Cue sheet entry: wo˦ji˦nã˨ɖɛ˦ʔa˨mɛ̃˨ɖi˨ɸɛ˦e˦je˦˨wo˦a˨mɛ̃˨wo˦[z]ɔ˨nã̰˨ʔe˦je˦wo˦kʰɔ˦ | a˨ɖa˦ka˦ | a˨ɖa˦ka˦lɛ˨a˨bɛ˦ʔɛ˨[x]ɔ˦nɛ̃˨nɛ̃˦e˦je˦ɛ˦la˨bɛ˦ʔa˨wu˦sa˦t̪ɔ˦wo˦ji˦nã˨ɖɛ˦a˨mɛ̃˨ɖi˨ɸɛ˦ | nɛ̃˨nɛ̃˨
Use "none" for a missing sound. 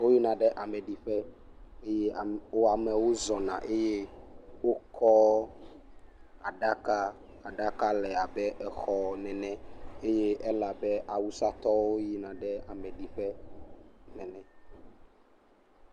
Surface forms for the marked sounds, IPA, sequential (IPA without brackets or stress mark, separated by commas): z, x